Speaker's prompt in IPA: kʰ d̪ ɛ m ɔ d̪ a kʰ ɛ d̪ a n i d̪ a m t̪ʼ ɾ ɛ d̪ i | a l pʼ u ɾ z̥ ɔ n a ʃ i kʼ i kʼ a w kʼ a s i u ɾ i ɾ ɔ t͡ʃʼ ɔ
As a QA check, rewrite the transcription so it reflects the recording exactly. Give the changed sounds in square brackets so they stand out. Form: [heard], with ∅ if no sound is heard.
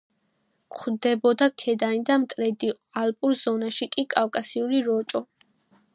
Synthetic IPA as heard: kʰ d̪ ɛ [b] ɔ d̪ a kʰ ɛ d̪ a n i d̪ a m t̪ʼ ɾ ɛ d̪ i | a l pʼ u ɾ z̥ ɔ n a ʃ i kʼ i kʼ a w kʼ a s i u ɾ i ɾ ɔ t͡ʃʼ ɔ